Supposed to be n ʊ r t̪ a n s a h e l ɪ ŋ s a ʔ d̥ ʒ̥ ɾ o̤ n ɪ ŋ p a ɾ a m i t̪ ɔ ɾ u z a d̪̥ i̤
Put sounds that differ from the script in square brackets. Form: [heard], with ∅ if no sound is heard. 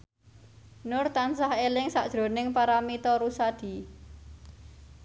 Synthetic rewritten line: n ʊ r t̪ a n s a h e l ɪ ŋ s a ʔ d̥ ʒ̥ ɾ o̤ n ɪ ŋ p a ɾ a m i t̪ ɔ ɾ u [s] a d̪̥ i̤